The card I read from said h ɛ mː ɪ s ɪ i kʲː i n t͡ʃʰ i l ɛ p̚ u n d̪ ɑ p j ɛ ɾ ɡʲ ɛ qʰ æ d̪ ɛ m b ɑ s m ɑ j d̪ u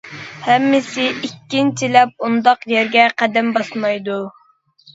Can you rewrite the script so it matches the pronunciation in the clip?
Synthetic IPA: h ɛ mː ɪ s ɪ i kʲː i n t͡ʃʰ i l ɛ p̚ u n d̪ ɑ q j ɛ ɾ ɡʲ ɛ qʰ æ d̪ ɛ m b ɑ s m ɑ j d̪ u